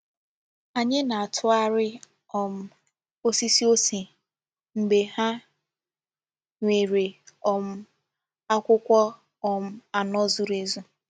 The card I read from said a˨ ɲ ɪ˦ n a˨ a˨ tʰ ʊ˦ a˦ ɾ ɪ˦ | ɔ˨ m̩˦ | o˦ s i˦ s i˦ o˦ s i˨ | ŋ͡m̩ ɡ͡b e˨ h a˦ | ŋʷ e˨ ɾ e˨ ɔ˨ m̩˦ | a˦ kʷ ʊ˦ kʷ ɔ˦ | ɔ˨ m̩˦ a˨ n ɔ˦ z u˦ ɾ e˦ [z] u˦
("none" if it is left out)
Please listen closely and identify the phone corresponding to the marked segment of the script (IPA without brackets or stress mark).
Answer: z